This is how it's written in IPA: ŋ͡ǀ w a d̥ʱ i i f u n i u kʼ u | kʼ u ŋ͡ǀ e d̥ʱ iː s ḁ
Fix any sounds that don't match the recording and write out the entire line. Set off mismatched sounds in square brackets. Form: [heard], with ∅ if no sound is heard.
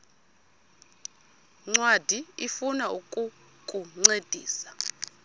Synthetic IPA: ŋ͡ǀ w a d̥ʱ i i f u n [a] u kʼ u | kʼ u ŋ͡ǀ e d̥ʱ iː s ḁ